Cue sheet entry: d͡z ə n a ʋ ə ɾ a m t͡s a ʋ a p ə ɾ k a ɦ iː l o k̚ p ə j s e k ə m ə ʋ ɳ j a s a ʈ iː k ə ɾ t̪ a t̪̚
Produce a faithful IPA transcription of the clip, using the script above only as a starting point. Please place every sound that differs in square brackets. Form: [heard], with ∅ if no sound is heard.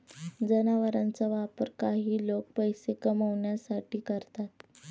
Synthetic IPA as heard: d͡z ə n a ʋ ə ɾ a [n] t͡s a ʋ a p ə ɾ k a ɦ iː l o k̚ p ə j s e k ə m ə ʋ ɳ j a s a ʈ iː k ə ɾ t̪ a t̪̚